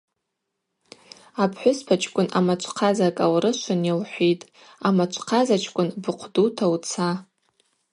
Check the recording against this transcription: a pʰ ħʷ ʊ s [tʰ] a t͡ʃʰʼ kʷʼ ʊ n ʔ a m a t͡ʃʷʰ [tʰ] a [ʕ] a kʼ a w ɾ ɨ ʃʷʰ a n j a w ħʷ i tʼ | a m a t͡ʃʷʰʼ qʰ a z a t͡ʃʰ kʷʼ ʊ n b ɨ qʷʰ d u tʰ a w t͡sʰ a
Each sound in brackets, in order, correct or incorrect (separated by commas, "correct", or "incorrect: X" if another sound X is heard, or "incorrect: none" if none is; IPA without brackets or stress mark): incorrect: pʰ, incorrect: qʰ, incorrect: z